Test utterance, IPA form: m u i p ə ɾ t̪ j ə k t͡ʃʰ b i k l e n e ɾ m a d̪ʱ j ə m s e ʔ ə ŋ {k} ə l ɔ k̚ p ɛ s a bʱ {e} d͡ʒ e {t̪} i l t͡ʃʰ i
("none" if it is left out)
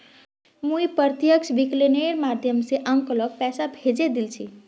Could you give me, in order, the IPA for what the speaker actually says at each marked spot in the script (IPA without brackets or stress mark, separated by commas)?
k, e, d̪